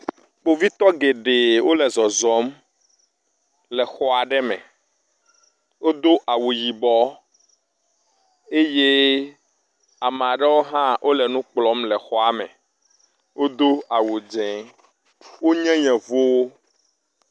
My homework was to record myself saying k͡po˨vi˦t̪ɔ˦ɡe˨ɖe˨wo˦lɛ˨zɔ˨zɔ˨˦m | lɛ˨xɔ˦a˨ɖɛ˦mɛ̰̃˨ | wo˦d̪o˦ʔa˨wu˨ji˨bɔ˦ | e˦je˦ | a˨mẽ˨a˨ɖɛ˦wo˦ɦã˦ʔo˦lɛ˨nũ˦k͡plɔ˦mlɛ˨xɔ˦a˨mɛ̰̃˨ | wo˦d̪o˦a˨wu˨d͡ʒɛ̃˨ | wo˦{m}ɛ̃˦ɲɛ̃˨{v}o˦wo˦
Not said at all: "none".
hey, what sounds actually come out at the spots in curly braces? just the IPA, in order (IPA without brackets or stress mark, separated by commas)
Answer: ɲ, v